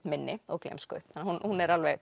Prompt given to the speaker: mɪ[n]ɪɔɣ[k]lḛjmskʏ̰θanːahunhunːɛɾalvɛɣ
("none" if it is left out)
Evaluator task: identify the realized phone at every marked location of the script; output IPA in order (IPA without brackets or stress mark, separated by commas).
nː, k